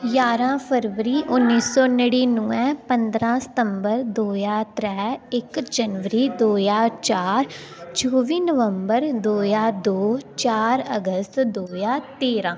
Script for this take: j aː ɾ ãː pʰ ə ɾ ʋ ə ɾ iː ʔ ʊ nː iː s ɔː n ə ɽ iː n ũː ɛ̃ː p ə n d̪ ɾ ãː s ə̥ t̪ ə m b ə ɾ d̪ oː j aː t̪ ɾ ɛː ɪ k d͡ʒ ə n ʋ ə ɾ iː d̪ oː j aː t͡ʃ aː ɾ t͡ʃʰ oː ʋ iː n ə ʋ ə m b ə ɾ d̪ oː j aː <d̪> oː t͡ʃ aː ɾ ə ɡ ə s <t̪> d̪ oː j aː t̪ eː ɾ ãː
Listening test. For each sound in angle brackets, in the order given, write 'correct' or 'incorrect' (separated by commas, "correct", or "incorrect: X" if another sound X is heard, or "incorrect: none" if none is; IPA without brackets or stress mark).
correct, correct